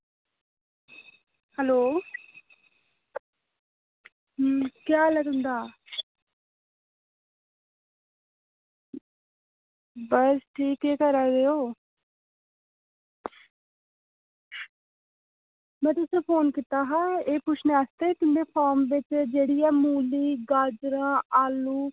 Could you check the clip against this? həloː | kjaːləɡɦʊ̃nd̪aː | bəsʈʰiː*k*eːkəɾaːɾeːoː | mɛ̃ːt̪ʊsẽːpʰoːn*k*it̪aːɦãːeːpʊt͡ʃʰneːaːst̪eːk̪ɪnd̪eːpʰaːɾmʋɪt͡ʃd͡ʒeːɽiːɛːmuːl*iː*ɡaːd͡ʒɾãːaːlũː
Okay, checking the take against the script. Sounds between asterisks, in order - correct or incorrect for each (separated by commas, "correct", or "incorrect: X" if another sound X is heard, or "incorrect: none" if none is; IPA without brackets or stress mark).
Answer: correct, correct, correct